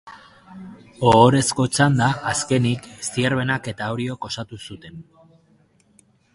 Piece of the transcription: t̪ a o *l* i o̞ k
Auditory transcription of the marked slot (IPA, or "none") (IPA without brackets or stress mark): ɾ